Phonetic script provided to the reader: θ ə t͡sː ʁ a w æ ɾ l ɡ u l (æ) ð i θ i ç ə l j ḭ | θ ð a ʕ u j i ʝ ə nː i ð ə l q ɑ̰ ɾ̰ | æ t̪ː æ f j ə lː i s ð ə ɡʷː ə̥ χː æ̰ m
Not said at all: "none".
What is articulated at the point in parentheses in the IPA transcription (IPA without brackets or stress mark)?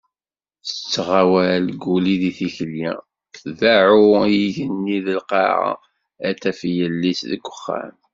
i